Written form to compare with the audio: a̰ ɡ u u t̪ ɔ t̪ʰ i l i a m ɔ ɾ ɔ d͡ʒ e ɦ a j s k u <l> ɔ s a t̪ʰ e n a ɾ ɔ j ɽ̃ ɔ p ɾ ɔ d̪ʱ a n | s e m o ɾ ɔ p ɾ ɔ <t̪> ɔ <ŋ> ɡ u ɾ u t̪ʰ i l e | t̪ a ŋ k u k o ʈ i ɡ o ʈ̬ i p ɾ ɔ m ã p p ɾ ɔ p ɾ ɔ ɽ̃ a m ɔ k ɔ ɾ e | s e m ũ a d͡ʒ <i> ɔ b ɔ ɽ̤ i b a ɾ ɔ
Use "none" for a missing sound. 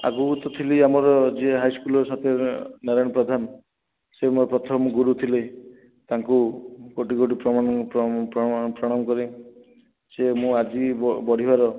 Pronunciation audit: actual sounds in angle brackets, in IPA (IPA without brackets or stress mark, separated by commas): l, t̪ʰ, m, i